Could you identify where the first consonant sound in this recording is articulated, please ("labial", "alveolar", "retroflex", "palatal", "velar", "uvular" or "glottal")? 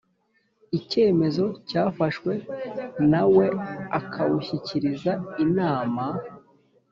palatal